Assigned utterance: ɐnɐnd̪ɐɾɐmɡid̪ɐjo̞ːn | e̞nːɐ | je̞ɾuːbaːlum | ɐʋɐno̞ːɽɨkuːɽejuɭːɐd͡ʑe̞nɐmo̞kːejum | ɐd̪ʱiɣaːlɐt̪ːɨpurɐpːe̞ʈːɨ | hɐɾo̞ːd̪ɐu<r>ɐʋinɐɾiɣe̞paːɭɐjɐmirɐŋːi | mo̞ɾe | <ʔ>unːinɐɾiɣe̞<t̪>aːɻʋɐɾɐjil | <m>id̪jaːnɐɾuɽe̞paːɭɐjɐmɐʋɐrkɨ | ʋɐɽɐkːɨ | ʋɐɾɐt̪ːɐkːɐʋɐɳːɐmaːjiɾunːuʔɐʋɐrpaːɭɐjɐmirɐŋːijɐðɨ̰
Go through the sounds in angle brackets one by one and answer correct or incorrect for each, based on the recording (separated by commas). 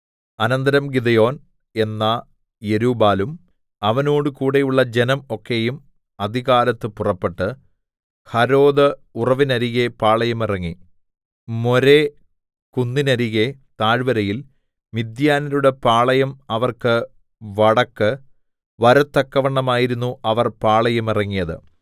correct, incorrect, correct, correct